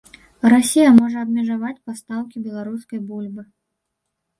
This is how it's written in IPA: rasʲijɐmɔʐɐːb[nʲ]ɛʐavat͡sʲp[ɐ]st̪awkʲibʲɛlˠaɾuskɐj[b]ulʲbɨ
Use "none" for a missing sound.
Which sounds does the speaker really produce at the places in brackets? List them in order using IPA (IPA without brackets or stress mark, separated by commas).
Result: mʲ, a, b